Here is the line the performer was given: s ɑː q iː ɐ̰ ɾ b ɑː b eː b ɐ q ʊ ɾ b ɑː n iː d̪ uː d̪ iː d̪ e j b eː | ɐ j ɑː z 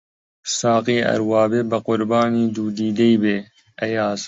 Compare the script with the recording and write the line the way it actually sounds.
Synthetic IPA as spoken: s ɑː q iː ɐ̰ ɾ w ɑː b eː b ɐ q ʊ ɾ b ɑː n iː d̪ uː d̪ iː d̪ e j b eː | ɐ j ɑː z